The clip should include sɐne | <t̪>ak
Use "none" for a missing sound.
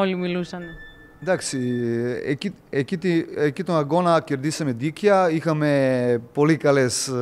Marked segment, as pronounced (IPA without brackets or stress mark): d̪